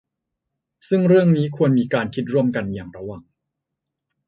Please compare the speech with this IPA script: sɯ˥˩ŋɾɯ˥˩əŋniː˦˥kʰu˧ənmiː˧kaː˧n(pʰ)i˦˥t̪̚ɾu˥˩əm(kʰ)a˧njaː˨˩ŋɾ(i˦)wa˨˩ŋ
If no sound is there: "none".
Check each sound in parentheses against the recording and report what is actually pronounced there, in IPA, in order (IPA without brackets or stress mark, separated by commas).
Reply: kʰ, k, a˦